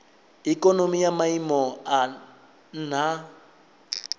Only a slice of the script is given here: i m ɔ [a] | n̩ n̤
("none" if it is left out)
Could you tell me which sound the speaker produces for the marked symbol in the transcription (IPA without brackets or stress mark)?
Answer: a